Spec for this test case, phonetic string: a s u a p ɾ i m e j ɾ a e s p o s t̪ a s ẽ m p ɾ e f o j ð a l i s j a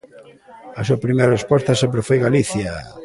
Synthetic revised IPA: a s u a p ɾ i m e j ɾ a e s p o s t̪ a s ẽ m p ɾ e f o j ɣ a l i θ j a